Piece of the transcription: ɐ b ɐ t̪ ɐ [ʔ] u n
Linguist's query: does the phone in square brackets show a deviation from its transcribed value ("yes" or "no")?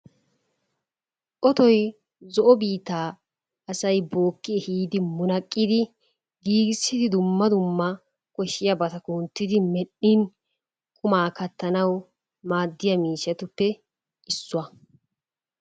yes